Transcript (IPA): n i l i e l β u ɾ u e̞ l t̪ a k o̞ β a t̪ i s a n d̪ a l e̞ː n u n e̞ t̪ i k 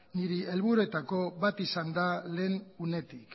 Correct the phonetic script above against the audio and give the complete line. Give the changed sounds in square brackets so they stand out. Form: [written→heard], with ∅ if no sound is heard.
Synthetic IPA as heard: n i [l→ɾ] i e l β u ɾ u e̞ [l→∅] t̪ a k o̞ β a t̪ i s a n d̪ a l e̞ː n u n e̞ t̪ i k

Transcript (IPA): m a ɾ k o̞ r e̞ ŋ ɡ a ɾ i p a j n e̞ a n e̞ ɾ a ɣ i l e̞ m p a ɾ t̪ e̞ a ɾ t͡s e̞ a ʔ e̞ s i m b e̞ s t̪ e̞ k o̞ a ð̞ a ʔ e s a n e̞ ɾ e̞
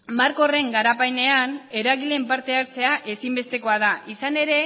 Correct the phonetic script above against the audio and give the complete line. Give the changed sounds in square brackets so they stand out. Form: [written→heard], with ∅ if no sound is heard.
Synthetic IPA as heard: m a ɾ k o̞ r e̞ ŋ ɡ a ɾ [i→a] p a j n e̞ a n e̞ ɾ a ɣ i l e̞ m p a ɾ t̪ e̞ a ɾ t͡s e̞ a ʔ e̞ s i m b e̞ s t̪ e̞ k o̞ a ð̞ a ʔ [e→i] s a n e̞ ɾ e̞

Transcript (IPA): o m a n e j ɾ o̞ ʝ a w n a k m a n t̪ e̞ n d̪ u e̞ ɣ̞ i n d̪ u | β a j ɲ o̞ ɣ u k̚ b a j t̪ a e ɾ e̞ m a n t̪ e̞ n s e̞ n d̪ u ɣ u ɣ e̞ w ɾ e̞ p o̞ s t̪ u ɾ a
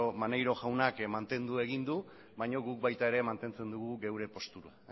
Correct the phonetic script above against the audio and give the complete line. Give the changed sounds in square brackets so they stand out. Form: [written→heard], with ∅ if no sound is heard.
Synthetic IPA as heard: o m a n e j ɾ o̞ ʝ a w n a k m a n t̪ e̞ n d̪ u e̞ ɣ̞ i n d̪ u | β a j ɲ o̞ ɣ u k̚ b a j t̪ a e ɾ e̞ m a n t̪ e̞ n [s→t͡s] e̞ n d̪ u ɣ u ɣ e̞ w ɾ e̞ p o̞ s t̪ u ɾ a

